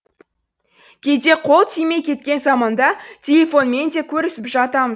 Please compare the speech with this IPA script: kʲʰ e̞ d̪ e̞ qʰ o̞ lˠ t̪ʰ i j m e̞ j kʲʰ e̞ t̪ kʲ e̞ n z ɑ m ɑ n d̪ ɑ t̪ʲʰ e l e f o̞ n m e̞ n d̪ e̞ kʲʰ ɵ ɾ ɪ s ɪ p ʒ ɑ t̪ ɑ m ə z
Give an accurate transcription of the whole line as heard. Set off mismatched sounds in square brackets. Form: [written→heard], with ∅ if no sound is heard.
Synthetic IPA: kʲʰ e̞ d̪ e̞ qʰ o̞ lˠ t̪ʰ i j m e̞ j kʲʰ e̞ t̪ kʲ e̞ n z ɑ m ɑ n d̪ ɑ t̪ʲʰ e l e f o̞ n m e̞ n d̪ e̞ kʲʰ ɵ ɾ ɪ s ɪ p ʒ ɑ t̪ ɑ m ə z